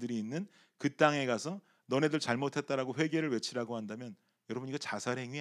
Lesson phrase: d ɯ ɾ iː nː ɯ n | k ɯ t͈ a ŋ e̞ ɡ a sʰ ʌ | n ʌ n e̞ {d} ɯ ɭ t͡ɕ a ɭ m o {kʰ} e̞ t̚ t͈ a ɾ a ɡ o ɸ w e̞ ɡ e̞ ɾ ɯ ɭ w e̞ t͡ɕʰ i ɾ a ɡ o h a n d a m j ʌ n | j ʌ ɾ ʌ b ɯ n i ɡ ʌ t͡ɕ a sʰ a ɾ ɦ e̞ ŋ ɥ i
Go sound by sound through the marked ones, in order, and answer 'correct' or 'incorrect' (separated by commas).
correct, incorrect